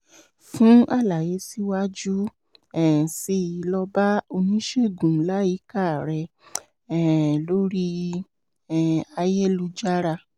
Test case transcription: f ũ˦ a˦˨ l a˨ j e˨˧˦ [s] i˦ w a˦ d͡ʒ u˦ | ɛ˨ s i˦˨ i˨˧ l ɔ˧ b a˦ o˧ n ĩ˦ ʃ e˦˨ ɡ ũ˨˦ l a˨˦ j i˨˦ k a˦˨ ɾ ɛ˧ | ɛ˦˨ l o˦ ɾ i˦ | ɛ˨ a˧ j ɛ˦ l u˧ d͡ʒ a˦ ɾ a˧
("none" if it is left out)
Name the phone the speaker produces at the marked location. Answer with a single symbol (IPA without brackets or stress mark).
s